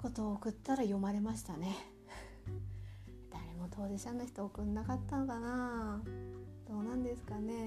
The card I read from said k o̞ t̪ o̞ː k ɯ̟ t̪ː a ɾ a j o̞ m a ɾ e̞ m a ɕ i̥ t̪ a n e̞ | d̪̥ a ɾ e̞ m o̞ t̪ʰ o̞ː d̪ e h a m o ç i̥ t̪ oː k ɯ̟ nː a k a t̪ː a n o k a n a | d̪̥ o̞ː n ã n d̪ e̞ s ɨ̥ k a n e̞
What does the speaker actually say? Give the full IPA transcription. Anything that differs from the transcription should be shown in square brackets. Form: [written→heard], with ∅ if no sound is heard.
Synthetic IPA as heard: k o̞ t̪ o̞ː k ɯ̟ t̪ː a ɾ a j o̞ m a ɾ e̞ m a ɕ i̥ t̪ a n e̞ | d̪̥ a ɾ e̞ m o̞ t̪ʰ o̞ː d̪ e [h→ɕ] a [m→n] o ç i̥ t̪ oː k ɯ̟ nː a k a t̪ː a n o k a n a | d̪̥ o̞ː n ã n d̪ e̞ s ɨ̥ k a n e̞